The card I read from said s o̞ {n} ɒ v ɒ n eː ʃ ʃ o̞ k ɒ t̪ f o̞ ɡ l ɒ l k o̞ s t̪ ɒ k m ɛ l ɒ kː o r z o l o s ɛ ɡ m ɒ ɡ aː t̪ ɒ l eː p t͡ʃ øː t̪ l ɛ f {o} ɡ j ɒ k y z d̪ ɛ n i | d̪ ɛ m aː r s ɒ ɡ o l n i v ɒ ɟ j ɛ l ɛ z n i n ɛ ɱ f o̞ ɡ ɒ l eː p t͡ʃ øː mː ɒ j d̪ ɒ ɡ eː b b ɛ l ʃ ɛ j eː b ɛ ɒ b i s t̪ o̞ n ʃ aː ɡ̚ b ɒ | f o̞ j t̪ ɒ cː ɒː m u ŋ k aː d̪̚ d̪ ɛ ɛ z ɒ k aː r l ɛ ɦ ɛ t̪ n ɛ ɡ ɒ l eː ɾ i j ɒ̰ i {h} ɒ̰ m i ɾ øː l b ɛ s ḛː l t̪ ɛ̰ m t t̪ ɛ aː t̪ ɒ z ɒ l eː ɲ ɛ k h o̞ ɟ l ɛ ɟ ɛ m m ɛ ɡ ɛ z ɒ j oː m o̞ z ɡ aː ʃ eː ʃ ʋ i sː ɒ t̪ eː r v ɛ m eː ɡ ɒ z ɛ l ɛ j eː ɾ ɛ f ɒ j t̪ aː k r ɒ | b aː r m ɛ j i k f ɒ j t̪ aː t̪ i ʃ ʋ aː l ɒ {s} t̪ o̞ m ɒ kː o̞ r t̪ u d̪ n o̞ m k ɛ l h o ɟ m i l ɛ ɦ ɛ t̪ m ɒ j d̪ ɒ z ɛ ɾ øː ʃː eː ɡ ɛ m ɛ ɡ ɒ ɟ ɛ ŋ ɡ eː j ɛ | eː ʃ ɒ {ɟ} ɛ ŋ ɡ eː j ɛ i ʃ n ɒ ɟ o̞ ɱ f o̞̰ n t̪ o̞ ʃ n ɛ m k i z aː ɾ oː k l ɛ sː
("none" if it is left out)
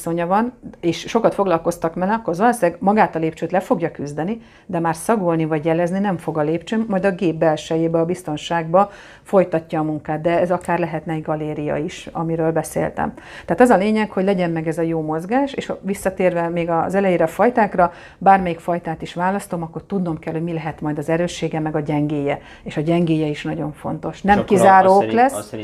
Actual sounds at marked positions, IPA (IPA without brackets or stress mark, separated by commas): ɲ, o, ʃ, s, ɟ